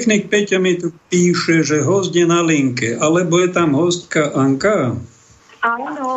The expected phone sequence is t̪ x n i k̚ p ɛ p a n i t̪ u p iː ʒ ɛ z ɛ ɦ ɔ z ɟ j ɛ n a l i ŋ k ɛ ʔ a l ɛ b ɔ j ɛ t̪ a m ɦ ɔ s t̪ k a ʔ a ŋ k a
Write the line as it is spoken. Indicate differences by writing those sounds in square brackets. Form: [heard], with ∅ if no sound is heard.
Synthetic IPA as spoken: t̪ x n i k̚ p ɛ [c] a [m] i t̪ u p iː [ʃ] ɛ [ʒ] ɛ ɦ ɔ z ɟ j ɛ n a l i ŋ k ɛ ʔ a l ɛ b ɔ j ɛ t̪ a m ɦ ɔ s t̪ k a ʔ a ŋ k a